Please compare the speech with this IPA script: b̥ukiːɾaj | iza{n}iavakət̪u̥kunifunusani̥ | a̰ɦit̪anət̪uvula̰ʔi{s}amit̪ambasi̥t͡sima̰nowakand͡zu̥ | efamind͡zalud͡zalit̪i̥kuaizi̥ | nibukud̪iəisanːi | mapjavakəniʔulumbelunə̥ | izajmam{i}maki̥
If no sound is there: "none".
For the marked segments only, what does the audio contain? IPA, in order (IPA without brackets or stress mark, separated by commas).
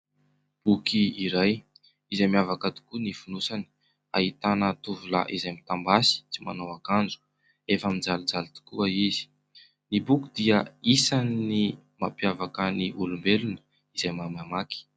m, z, a